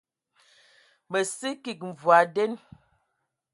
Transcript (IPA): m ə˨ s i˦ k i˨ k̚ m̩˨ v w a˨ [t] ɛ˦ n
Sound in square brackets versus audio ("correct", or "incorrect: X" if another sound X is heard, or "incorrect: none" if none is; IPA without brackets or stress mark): incorrect: d